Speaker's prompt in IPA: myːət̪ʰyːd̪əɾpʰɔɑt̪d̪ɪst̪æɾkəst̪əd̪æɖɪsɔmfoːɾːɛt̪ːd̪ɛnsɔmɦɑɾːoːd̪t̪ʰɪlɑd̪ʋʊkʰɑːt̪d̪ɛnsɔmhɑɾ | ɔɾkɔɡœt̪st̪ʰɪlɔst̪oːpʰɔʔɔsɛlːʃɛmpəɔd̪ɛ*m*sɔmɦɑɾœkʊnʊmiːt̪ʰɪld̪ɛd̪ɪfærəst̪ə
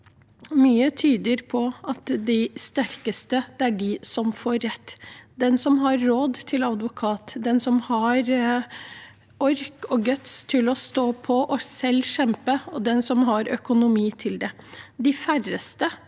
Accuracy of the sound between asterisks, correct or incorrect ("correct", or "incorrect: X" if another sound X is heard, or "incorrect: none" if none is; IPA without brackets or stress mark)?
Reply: incorrect: n